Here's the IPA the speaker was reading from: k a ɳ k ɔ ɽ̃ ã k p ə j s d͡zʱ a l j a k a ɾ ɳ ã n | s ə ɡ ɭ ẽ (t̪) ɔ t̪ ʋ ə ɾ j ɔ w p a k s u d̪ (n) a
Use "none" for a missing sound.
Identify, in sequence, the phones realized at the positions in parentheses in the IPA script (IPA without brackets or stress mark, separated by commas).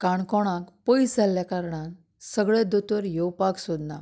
d̪, n